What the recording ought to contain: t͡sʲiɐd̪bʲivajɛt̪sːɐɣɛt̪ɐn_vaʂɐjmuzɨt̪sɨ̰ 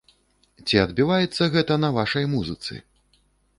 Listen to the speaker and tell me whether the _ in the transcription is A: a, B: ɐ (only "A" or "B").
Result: B